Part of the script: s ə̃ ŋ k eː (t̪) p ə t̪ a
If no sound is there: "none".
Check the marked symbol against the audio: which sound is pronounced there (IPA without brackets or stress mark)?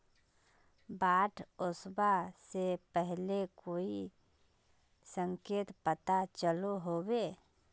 t̪